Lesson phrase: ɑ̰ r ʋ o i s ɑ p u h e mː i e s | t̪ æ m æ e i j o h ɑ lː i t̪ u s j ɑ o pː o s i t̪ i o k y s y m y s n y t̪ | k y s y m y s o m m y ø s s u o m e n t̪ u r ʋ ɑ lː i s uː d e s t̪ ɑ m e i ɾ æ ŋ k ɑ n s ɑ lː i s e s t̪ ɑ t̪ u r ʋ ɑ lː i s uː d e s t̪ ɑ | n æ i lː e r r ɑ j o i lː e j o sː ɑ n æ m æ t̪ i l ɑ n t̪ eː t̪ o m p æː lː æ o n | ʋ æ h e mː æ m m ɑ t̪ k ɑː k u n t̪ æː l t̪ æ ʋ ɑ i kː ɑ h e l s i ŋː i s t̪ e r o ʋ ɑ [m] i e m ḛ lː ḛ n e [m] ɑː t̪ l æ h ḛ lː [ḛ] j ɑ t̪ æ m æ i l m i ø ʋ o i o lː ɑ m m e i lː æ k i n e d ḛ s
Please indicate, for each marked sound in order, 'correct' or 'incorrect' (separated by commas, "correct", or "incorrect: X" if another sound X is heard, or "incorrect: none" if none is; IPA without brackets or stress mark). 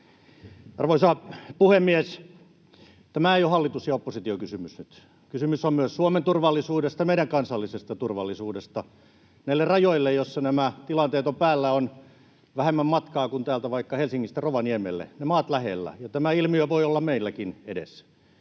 incorrect: n, correct, incorrect: æ̰